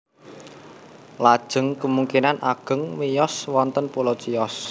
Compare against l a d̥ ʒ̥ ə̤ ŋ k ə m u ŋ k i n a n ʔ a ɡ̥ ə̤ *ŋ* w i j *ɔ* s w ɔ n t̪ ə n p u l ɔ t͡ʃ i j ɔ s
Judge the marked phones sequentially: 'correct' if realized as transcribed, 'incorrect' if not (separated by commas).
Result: correct, correct